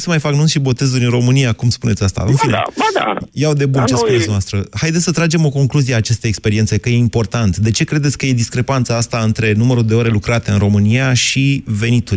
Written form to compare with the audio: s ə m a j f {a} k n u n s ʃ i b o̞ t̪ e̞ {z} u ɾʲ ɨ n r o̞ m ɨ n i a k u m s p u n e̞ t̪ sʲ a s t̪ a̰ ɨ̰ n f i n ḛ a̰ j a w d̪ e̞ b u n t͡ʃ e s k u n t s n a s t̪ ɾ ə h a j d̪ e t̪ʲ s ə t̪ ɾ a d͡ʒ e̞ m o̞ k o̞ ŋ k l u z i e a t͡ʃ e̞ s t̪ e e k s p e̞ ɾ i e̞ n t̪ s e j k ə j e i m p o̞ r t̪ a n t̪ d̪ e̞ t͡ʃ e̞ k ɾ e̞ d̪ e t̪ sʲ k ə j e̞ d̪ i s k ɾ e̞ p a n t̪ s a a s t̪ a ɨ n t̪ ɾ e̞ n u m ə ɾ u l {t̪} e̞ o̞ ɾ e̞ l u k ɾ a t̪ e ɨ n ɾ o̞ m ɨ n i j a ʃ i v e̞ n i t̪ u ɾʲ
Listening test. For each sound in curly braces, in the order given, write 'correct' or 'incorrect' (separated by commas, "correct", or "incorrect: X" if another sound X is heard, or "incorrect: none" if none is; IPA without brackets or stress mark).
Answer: correct, correct, incorrect: d̪